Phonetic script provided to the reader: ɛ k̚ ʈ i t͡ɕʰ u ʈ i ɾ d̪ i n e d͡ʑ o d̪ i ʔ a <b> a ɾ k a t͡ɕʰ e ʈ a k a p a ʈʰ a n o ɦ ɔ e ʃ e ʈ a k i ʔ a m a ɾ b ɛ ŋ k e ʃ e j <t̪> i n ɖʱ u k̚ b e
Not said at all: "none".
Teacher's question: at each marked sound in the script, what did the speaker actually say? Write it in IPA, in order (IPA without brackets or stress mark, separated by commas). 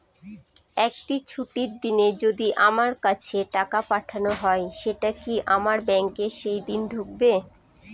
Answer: m, d̪